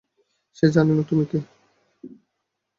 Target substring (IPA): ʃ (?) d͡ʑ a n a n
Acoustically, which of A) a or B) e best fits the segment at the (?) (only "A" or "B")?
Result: B